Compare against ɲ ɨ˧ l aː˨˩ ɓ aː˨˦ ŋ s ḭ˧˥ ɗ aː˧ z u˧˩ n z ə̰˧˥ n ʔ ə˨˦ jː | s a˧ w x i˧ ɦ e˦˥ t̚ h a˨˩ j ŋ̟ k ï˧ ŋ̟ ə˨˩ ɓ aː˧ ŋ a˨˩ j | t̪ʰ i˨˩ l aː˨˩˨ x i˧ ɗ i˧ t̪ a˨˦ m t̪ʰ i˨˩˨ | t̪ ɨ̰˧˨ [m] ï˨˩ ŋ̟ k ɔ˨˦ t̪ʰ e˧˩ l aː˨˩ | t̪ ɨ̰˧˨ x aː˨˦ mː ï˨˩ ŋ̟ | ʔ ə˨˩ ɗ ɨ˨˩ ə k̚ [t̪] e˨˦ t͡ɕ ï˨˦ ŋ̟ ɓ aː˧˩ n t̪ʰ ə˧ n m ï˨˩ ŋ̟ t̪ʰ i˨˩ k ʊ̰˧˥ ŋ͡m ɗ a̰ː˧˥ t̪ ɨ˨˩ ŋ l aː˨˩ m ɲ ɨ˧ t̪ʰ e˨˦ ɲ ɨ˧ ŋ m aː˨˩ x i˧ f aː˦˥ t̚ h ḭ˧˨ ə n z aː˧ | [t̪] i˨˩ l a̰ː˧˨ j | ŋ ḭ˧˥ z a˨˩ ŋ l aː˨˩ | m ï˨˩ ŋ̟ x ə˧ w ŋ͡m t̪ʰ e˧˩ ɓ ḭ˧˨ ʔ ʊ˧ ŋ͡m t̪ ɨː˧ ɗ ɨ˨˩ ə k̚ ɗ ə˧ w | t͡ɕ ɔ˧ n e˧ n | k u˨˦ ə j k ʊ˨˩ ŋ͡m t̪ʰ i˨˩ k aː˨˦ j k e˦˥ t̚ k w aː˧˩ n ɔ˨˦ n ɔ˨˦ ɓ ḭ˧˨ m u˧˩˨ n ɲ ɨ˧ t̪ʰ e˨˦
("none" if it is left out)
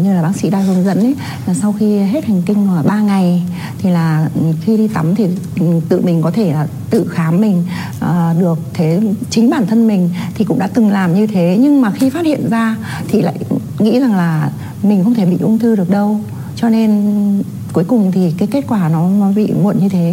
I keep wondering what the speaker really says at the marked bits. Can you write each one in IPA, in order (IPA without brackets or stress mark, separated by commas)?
m, t̪ʰ, t̪ʰ